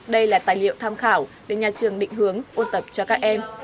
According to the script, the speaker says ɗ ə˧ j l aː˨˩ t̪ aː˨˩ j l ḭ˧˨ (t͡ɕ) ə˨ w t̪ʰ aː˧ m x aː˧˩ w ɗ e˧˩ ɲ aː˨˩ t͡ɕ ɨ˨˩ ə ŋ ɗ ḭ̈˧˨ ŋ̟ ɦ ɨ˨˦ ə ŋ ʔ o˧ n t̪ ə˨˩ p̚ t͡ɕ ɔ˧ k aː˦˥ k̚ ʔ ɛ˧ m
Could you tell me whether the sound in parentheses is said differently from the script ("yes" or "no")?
yes